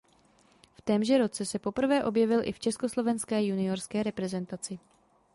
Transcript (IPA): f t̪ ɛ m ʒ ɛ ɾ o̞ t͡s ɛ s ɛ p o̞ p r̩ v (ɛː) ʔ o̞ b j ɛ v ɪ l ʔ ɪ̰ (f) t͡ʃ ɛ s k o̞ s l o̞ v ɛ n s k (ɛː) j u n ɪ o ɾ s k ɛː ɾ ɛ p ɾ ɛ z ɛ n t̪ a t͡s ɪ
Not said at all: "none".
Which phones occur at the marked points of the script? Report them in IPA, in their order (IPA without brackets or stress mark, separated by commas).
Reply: ɛː, f, ɛː